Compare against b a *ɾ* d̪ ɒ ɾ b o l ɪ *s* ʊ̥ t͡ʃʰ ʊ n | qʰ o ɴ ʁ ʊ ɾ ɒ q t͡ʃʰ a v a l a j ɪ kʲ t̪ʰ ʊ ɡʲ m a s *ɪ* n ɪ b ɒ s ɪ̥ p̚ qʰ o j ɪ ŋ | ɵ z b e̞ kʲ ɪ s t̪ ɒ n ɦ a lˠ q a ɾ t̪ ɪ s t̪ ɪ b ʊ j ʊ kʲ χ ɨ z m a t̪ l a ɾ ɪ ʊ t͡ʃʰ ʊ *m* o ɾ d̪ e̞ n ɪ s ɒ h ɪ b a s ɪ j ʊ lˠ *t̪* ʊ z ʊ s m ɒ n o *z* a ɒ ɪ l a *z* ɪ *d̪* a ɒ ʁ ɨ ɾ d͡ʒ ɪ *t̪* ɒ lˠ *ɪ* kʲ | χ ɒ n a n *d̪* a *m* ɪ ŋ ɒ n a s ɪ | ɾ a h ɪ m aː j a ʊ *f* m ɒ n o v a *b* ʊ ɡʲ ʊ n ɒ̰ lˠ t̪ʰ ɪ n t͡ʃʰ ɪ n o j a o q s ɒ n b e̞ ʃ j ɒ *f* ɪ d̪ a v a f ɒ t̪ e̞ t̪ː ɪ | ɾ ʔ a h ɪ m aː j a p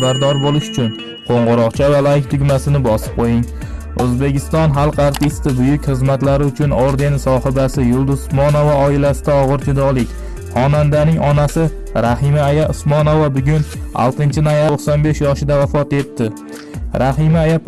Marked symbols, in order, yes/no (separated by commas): yes, no, yes, no, no, no, no, yes, no, yes, yes, no, no, yes, no